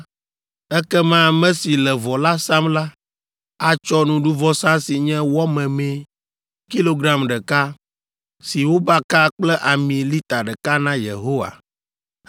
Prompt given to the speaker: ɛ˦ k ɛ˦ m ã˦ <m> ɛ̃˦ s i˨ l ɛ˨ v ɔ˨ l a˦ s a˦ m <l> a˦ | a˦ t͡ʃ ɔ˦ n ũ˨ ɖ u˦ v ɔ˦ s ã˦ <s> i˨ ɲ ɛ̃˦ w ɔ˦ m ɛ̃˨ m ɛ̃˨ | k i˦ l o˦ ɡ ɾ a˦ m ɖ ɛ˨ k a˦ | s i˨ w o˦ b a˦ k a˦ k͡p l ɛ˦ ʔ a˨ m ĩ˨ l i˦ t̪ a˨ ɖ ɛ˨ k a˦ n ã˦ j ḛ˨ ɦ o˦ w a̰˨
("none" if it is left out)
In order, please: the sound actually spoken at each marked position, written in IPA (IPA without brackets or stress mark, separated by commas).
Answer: m, l, s